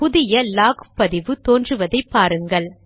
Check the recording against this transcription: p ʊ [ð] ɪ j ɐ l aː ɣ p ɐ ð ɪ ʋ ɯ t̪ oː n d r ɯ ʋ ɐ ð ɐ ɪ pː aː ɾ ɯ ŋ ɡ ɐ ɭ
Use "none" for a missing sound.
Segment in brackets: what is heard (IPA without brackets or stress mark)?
ð